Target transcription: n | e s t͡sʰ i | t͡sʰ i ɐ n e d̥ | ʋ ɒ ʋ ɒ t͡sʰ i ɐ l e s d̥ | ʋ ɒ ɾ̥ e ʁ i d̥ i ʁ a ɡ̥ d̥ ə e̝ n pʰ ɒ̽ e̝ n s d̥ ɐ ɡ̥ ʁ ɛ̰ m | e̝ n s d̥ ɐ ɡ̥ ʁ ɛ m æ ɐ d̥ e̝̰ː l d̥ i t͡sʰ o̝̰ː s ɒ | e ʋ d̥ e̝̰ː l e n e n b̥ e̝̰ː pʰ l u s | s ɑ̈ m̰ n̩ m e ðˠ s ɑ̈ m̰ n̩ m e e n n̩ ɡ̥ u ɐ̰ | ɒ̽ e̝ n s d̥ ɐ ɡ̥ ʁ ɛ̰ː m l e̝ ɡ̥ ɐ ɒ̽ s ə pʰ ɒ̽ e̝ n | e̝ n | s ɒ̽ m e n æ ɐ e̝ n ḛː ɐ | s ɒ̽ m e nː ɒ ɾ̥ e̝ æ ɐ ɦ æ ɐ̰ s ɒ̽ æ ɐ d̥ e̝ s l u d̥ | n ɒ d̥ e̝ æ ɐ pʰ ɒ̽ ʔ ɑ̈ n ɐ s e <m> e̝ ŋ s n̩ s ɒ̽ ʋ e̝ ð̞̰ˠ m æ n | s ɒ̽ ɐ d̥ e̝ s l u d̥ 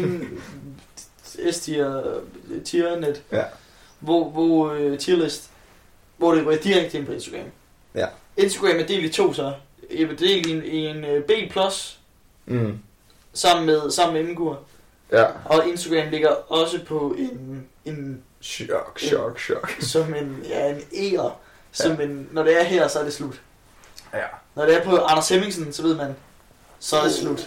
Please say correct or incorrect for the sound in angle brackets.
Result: correct